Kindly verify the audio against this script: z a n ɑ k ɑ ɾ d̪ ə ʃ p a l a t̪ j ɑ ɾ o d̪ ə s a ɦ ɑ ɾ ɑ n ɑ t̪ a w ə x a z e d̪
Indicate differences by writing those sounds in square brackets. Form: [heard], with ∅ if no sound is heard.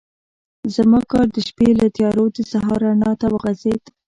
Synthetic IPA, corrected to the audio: z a [m] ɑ k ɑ ɾ d̪ ə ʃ p [e] l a t̪ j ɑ ɾ o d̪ ə s a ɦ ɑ ɾ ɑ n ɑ t̪ a w ə [ɣ] a z e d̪